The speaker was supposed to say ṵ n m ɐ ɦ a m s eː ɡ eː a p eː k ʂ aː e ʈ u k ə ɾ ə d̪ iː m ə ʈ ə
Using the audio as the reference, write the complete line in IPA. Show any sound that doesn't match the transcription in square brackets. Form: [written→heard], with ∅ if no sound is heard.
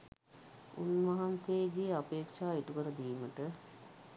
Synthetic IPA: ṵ n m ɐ ɦ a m s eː ɡ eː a p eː k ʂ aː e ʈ u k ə ɾ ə d̪ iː m ə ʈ ə